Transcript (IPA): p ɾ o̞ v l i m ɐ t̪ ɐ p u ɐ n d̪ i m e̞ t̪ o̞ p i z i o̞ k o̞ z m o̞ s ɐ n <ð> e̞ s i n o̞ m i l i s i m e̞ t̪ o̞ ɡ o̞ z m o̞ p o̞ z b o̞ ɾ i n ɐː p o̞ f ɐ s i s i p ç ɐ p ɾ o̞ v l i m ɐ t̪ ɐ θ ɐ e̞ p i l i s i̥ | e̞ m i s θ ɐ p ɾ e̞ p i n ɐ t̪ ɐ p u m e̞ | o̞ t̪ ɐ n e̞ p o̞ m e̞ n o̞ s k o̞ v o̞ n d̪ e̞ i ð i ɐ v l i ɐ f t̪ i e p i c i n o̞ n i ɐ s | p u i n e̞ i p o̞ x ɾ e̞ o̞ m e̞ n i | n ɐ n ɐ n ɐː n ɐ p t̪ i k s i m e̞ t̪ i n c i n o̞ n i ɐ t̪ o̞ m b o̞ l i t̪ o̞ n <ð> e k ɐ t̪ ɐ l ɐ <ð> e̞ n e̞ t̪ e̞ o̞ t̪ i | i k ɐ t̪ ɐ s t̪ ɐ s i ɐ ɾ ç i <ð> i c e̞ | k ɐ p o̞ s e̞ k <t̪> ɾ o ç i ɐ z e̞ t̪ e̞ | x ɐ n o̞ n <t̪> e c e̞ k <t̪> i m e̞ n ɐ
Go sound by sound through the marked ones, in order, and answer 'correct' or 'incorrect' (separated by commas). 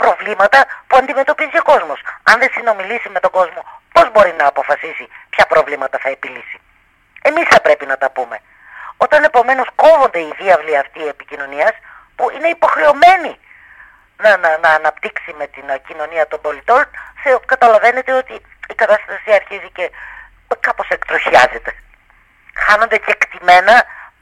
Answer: correct, incorrect, incorrect, incorrect, correct, incorrect, correct